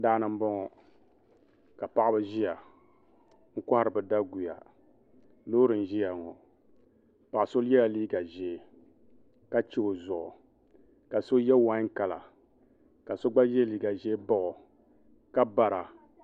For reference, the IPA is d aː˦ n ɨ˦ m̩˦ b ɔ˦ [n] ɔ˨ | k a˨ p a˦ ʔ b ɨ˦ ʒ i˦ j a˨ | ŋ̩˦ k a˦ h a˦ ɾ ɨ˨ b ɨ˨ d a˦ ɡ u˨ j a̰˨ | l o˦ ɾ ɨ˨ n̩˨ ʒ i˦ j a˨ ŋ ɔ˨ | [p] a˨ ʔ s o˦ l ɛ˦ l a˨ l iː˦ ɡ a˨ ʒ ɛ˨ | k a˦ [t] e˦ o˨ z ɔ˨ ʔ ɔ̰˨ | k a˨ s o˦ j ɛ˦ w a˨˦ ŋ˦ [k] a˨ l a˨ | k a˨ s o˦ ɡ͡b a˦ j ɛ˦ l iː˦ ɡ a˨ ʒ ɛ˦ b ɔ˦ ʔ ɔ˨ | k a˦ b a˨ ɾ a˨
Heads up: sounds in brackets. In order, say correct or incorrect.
incorrect: ŋ, correct, incorrect: t͡ʃ, correct

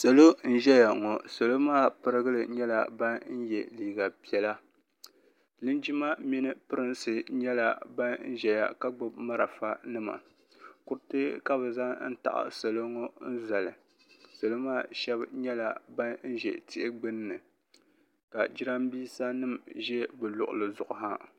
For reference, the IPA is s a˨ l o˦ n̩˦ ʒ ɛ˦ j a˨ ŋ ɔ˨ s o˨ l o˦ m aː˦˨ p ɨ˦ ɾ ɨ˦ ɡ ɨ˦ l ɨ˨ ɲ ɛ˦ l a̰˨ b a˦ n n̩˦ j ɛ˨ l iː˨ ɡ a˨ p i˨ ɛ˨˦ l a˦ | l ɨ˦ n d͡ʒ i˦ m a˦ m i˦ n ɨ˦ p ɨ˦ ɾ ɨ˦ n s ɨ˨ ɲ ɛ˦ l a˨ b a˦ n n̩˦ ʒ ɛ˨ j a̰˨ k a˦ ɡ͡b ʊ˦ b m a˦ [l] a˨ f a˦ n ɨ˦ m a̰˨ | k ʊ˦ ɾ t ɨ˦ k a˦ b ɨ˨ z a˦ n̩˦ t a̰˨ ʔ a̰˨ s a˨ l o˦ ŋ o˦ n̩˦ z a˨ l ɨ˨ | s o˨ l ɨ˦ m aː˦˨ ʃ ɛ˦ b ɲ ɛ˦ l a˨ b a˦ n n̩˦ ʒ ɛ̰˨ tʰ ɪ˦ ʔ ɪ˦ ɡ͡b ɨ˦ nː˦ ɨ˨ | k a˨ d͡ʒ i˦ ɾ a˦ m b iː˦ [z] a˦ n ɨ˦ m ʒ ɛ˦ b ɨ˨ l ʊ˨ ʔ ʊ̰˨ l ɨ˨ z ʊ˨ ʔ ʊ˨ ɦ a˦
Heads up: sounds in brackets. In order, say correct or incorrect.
incorrect: ɾ, incorrect: s

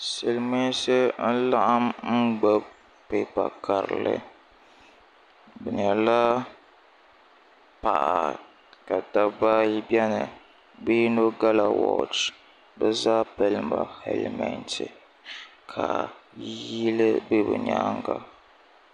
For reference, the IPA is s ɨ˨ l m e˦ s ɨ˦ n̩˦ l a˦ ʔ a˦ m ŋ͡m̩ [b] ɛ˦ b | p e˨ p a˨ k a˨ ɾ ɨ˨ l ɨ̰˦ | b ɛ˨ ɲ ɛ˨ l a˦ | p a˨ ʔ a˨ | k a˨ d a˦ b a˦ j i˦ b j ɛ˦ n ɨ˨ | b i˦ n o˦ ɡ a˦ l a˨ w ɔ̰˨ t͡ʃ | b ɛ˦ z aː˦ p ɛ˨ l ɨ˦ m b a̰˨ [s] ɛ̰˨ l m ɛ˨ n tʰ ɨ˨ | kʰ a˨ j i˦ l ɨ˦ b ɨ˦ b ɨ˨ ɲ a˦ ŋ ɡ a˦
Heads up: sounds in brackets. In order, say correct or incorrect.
incorrect: ɡ͡b, incorrect: h

